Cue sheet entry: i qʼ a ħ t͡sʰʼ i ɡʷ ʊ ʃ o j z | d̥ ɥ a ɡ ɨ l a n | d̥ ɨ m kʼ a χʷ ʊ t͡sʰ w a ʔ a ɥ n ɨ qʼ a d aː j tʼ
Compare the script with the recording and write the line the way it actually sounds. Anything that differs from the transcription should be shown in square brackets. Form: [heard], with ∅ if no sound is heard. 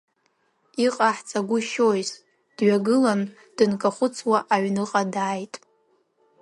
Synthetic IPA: i qʼ a ħ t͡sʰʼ [a] ɡʷ ʊ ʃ o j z | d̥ ɥ a ɡ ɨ l a n | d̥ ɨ [n] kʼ a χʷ ʊ t͡sʰ w a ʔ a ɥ n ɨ qʼ a d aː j tʼ